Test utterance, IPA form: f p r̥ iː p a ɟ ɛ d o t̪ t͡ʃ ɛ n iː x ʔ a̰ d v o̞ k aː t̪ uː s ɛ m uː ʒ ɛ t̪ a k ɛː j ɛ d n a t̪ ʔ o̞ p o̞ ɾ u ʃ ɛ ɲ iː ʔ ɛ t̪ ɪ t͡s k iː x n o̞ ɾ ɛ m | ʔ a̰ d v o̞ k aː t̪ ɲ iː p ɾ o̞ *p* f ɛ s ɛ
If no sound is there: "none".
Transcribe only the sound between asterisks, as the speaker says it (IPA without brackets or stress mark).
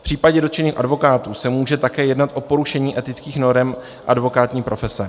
none